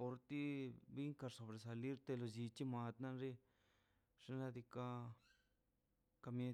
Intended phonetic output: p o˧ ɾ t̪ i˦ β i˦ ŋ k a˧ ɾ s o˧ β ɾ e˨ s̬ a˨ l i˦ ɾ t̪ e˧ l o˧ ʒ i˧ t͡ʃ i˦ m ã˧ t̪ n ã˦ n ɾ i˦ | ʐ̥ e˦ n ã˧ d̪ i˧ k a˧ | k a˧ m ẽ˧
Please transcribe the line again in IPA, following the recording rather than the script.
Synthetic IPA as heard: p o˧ ɾ t̪ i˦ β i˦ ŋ k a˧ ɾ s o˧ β ɾ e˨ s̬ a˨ l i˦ ɾ t̪ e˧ l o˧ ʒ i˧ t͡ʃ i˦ m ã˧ t̪ n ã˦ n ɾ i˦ | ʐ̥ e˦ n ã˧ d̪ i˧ k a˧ | k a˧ m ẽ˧